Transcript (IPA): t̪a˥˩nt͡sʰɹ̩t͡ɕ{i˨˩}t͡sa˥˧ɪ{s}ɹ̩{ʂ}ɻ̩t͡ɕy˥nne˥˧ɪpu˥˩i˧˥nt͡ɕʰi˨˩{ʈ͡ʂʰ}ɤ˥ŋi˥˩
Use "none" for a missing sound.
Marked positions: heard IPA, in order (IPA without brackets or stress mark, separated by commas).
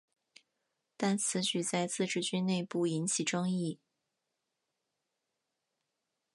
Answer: y˨˩, t͡s, ʈ͡ʂ, ʈ͡ʂ